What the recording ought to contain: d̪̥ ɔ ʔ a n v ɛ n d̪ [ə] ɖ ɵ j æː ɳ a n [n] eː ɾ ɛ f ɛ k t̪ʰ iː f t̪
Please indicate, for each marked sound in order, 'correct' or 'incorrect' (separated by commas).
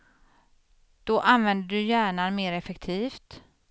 correct, incorrect